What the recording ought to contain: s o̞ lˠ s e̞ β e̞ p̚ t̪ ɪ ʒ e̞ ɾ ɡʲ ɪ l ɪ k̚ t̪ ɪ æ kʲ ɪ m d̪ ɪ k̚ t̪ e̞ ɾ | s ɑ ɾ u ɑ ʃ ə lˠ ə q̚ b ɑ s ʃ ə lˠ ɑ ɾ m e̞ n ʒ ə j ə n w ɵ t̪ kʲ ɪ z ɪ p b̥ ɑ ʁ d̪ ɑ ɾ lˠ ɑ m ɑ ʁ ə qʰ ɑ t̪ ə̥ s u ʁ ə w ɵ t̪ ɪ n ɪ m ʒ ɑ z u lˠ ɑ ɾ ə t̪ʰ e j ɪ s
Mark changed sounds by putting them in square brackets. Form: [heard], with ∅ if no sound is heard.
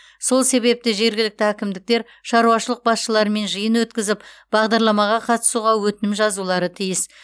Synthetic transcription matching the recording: s o̞ lˠ s e̞ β e̞ p̚ t̪ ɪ ʒ e̞ ɾ ɡʲ ɪ l ɪ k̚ t̪ ɪ æ kʲ ɪ m d̪ ɪ k̚ t̪ e̞ ɾ | [ʃ] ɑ ɾ u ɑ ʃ ə lˠ ə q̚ b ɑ s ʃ ə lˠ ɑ ɾ m e̞ n ʒ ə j ə n w ɵ t̪ kʲ ɪ z ɪ p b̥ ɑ ʁ d̪ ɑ ɾ lˠ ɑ m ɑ ʁ [ɑ] qʰ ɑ t̪ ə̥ s u ʁ [ɑ] w ɵ t̪ ɪ n ɪ m ʒ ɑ z u lˠ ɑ ɾ ə t̪ʰ [i] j ɪ s